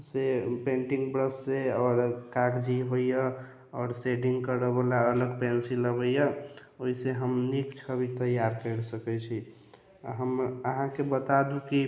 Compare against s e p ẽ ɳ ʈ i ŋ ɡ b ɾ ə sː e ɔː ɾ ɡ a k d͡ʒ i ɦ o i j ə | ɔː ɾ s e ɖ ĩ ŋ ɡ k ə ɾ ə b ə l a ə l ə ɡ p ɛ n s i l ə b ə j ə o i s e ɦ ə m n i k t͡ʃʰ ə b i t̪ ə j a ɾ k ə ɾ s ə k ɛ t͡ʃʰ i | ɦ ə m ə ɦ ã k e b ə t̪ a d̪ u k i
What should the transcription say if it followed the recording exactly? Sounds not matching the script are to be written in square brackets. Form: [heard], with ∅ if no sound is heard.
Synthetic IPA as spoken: s e p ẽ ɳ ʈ i ŋ ɡ b ɾ ə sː e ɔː ɾ [k] a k d͡ʒ i ɦ o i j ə | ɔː ɾ s e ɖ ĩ ŋ ɡ k ə ɾ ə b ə l a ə l ə ɡ p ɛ n s i l ə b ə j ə o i s e ɦ ə m n i k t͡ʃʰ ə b i t̪ ə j a ɾ k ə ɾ s ə k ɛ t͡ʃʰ i | ɦ ə m ə ɦ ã k e b ə t̪ a d̪ u k i